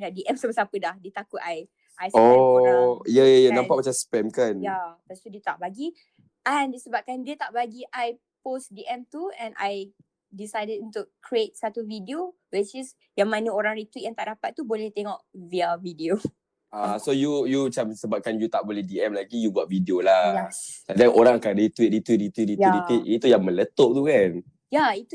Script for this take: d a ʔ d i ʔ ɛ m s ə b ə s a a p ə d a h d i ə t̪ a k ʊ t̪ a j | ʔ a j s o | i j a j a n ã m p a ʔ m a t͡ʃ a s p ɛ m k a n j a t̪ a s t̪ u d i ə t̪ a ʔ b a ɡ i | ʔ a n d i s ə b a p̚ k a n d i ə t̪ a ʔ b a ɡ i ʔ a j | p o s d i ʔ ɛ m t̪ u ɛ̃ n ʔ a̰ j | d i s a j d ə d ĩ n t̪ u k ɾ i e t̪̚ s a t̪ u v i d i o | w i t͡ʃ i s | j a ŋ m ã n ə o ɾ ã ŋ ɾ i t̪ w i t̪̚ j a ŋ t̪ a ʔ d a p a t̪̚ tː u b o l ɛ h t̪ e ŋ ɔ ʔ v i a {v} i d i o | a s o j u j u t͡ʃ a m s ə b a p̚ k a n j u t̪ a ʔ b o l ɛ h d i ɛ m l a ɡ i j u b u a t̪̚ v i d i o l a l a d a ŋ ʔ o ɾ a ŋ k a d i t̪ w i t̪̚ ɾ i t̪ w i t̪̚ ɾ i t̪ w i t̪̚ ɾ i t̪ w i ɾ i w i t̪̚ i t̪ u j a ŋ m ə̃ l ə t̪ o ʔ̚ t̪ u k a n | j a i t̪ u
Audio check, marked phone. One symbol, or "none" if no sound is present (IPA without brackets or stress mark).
v